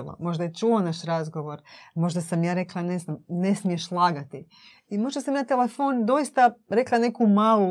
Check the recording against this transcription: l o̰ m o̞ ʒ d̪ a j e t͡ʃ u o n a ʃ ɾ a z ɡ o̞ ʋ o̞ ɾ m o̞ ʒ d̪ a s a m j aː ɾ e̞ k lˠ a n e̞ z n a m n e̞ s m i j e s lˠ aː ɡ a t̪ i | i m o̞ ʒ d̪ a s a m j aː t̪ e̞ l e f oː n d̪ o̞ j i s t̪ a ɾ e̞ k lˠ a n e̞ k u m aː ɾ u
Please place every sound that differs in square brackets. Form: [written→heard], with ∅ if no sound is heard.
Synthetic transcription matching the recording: l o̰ m o̞ ʒ d̪ a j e t͡ʃ u o n a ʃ ɾ a z ɡ o̞ ʋ o̞ ɾ m o̞ ʒ d̪ a s a m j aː ɾ e̞ k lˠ a n e̞ z n a m n e̞ s m i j e [s→ʃ] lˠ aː ɡ a t̪ i | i m o̞ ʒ d̪ a s a m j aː t̪ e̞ l e f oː n d̪ o̞ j i s t̪ a ɾ e̞ k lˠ a n e̞ k u m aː [ɾ→l] u